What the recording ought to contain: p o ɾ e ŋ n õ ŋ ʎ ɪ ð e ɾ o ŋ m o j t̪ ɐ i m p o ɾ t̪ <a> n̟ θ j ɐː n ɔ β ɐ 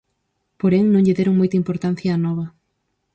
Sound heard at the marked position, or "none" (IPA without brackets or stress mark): a